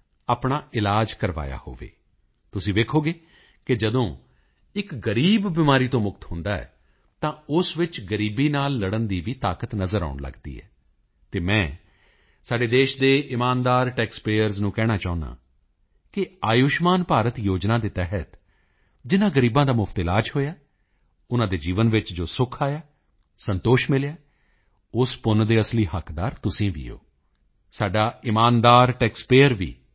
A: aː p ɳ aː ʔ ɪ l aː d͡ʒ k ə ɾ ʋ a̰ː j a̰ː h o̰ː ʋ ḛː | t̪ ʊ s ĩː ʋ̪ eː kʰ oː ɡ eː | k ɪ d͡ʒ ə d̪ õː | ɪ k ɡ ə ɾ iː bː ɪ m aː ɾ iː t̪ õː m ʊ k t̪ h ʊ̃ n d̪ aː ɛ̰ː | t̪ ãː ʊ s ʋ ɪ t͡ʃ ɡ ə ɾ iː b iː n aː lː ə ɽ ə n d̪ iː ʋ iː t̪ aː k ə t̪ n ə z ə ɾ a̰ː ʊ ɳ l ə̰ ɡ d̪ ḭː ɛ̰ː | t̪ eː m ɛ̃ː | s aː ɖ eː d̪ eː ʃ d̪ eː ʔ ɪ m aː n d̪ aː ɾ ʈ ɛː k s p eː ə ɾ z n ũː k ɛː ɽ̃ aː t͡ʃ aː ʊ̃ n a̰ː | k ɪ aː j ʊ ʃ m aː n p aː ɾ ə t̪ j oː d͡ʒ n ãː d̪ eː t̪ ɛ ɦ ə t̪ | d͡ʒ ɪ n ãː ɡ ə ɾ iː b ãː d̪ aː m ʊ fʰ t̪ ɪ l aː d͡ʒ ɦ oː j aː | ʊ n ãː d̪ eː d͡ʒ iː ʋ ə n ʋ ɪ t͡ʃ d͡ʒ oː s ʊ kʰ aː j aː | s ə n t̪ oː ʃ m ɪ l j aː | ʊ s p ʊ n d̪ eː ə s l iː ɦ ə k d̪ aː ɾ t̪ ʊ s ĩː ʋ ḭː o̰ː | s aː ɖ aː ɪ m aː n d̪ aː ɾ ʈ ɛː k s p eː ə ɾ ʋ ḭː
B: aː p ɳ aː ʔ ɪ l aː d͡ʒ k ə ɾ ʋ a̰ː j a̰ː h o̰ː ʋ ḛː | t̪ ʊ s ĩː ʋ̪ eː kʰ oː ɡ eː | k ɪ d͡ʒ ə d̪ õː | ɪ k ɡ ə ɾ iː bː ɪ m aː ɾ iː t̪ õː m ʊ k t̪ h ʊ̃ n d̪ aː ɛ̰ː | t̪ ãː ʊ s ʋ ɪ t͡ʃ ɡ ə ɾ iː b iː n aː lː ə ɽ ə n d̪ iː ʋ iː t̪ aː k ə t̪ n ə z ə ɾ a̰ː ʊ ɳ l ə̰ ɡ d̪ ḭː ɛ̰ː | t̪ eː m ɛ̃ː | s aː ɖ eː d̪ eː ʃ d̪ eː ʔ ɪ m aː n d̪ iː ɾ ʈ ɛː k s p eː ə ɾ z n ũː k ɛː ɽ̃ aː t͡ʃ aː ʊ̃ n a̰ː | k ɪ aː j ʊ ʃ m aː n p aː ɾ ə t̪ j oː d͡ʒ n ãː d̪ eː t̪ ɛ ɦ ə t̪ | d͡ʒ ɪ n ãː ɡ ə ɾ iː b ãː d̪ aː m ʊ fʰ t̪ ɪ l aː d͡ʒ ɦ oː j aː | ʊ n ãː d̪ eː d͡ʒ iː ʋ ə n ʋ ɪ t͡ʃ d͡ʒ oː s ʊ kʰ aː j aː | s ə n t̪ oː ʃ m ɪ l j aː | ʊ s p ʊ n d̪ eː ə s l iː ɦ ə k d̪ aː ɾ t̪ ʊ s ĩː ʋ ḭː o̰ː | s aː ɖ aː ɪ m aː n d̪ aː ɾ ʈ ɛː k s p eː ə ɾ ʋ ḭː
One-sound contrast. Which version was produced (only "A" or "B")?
A